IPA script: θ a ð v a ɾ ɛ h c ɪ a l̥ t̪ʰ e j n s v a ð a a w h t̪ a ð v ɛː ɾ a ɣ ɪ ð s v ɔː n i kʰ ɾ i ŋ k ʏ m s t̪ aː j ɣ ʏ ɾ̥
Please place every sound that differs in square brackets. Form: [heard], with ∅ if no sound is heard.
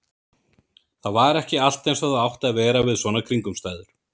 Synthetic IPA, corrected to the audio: θ a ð v a ɾ ɛ h c ɪ a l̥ [t̪] e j n s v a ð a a w h t̪ a ð v ɛː ɾ a [v] ɪ ð s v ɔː n [a] kʰ ɾ i ŋ k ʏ m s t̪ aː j [ð] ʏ ɾ̥